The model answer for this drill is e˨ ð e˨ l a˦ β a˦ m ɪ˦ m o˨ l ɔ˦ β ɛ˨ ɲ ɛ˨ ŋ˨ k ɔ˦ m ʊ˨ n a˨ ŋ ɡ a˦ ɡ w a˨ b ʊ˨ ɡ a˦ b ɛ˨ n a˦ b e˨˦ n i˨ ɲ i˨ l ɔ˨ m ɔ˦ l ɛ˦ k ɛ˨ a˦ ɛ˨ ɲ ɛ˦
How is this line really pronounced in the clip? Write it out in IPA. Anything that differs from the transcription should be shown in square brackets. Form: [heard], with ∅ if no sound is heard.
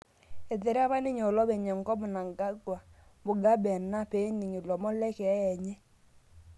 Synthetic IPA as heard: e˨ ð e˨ [ɾ] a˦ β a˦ [n] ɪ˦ [ɲ] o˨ l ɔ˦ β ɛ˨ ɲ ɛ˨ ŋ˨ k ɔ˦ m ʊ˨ n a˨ ŋ ɡ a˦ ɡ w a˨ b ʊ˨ ɡ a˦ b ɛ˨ n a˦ [p] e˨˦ n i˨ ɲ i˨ l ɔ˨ m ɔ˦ l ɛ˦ k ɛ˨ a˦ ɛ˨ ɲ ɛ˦

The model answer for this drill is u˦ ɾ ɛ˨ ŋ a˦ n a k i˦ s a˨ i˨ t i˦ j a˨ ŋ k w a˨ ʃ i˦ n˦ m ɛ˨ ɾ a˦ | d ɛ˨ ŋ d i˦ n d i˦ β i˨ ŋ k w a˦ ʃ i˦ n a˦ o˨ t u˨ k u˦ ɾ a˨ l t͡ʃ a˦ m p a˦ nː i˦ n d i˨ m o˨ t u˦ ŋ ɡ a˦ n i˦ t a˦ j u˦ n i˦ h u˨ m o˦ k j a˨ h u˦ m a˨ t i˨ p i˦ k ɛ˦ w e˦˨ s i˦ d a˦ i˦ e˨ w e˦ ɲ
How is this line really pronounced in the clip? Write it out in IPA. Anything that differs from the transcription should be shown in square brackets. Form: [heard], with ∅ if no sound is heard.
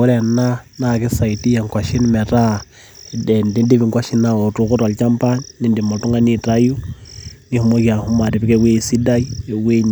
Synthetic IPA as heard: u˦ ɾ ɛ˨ [n] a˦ n a k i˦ s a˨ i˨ t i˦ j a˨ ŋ k w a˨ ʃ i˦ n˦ m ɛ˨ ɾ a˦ | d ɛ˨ [n] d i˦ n d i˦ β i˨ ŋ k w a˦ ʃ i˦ n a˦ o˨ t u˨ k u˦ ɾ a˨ l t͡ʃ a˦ m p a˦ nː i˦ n d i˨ m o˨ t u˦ ŋ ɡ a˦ n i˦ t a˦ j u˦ n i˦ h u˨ m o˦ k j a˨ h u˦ m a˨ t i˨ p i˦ k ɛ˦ w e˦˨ s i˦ d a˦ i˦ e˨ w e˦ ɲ

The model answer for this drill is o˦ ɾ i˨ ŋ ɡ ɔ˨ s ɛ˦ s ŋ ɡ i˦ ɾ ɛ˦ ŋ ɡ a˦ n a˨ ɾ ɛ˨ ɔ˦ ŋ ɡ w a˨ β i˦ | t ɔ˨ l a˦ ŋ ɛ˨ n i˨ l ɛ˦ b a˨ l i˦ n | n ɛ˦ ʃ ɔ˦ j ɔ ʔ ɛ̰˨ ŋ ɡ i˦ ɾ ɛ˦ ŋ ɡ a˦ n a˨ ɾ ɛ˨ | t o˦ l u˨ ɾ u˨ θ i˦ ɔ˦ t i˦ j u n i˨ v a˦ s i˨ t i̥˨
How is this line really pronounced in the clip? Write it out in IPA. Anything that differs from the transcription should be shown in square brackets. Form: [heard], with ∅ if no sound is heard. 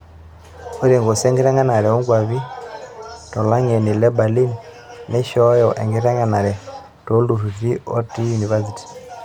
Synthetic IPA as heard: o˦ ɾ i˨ ŋ ɡ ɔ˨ s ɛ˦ [∅] ŋ ɡ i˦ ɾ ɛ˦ ŋ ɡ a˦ n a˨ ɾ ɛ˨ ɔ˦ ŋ ɡ w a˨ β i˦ | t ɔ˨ l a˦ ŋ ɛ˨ n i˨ l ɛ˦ b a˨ l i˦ n | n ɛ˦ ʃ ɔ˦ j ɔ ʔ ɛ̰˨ ŋ ɡ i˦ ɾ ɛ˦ ŋ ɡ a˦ n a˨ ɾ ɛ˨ | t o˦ l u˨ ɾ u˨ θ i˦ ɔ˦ t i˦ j u n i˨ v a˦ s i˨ t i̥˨

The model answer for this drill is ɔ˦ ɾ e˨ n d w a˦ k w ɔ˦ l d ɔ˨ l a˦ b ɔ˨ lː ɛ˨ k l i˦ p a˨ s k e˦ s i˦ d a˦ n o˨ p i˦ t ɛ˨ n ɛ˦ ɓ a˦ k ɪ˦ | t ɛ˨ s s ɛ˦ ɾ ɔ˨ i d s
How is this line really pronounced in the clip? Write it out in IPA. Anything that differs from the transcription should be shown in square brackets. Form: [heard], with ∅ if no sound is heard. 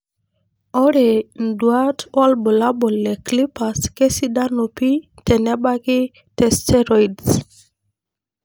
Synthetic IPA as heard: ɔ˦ ɾ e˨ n d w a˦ [t] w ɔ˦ l [b] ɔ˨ l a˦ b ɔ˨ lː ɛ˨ k l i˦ p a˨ s k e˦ s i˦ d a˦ n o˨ p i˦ t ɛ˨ n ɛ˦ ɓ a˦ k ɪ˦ | t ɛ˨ s [t] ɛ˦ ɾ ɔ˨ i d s

